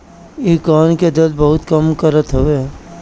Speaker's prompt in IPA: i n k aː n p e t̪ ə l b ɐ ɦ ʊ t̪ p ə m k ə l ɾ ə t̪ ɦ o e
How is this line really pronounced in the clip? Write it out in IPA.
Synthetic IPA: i k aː n k e d̪ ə l b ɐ ɦ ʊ t̪ k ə m k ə ɾ ə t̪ ɦ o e